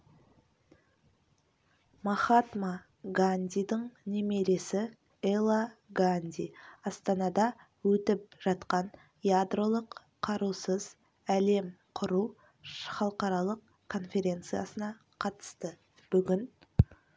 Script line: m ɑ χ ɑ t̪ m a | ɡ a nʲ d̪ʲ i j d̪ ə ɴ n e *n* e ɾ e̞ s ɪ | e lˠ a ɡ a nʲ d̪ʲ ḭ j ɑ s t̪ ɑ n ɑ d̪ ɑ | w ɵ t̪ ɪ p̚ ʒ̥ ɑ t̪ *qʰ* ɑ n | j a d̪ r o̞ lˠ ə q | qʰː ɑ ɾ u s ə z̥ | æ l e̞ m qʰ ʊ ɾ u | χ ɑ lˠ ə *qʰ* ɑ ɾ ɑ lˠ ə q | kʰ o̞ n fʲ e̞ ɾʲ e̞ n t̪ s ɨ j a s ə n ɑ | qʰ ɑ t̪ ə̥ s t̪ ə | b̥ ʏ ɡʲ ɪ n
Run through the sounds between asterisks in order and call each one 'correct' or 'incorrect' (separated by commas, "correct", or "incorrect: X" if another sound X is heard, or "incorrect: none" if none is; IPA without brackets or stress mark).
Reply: incorrect: m, incorrect: q, incorrect: q